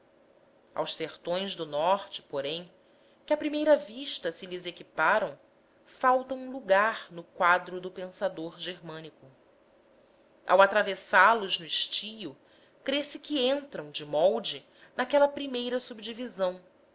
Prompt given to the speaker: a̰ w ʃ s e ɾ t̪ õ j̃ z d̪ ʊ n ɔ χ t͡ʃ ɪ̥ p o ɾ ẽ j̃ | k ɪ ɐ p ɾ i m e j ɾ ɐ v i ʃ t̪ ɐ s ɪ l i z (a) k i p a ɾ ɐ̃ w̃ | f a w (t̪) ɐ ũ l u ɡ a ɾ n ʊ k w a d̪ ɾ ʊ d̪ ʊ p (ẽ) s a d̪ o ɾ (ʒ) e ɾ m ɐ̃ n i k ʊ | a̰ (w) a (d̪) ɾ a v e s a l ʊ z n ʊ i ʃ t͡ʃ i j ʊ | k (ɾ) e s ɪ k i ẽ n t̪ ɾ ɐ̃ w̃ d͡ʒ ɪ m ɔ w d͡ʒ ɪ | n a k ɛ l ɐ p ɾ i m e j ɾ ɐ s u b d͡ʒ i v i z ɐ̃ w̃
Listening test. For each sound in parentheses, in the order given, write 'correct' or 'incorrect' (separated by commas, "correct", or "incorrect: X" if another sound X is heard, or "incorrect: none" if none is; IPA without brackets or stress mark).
incorrect: e, correct, correct, correct, correct, incorrect: t̪, correct